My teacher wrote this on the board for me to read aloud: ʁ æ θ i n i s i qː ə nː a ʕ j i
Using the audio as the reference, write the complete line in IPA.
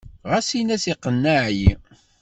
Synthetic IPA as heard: ʁ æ s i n æ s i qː ə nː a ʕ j i